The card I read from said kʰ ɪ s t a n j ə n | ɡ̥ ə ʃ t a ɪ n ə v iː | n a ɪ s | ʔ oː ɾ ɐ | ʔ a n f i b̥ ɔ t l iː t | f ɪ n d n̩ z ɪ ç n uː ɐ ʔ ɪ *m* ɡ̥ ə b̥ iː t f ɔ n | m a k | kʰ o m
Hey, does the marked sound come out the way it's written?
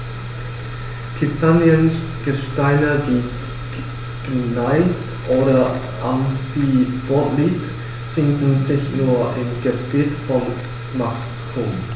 yes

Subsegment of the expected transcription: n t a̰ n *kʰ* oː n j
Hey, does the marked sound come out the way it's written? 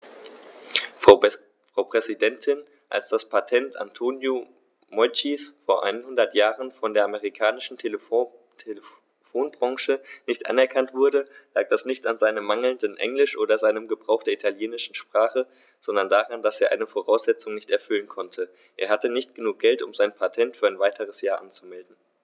no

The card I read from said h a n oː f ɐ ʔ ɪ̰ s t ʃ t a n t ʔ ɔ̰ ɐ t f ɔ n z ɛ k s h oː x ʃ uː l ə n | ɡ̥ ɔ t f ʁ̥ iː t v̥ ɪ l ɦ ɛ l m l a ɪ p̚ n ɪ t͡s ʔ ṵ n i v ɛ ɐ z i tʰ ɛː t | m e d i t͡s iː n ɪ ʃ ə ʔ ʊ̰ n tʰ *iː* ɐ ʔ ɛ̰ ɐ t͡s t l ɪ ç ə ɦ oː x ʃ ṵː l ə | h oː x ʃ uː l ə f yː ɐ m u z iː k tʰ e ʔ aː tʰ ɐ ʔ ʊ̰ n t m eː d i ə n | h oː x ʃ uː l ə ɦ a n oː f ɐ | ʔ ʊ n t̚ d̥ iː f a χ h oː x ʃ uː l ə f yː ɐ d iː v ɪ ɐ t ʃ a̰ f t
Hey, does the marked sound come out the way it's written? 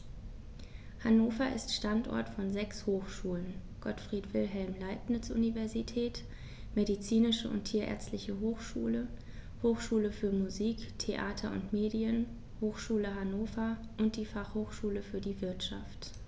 yes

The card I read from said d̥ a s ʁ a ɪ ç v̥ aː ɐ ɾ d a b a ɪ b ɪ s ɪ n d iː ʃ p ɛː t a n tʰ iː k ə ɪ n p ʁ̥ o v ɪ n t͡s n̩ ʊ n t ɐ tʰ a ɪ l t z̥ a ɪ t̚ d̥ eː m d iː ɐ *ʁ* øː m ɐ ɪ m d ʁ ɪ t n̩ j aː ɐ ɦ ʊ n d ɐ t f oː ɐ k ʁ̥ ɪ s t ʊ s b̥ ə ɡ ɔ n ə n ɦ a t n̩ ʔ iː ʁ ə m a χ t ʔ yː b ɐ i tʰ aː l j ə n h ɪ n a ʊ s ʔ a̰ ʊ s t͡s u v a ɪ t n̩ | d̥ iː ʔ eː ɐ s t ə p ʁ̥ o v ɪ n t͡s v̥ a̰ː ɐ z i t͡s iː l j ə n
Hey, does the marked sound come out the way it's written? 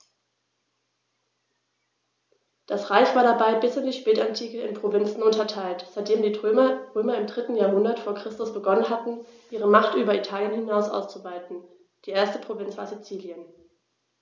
yes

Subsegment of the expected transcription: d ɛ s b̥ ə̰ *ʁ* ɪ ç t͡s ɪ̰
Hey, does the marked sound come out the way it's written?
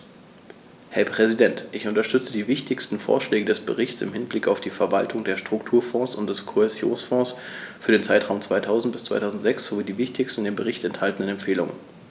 yes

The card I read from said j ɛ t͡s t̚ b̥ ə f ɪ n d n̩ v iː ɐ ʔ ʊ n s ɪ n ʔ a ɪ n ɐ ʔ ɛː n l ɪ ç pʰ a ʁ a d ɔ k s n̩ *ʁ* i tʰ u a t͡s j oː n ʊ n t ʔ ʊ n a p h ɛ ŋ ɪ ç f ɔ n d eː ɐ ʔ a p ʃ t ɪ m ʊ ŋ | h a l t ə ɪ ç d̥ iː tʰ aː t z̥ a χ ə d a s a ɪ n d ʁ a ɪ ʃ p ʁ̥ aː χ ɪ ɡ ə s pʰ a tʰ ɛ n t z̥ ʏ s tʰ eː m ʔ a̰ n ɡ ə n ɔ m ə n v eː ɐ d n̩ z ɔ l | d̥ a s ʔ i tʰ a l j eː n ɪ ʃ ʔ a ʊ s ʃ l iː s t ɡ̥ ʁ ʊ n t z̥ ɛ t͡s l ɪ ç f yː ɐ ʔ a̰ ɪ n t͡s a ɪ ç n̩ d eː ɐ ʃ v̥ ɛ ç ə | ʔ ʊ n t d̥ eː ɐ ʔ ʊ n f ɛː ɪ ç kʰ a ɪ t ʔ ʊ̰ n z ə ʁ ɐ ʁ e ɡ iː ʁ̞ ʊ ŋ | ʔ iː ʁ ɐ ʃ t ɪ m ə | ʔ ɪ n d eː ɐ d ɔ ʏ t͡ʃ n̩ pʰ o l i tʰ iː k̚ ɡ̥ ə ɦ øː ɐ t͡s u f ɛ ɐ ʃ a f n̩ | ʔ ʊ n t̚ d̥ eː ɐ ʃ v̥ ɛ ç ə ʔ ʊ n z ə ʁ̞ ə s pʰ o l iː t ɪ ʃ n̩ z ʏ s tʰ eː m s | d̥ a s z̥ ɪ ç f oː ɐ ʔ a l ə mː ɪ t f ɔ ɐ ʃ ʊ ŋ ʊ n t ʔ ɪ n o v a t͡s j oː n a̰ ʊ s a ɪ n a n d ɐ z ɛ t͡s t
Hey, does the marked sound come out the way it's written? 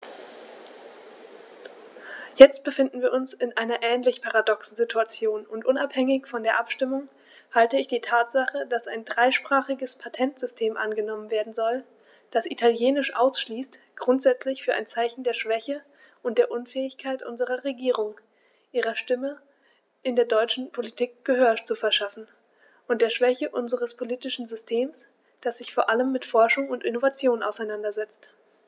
no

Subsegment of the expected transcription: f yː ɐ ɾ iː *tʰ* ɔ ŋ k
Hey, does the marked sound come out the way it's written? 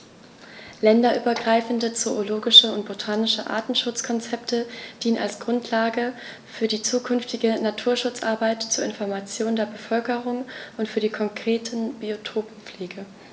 no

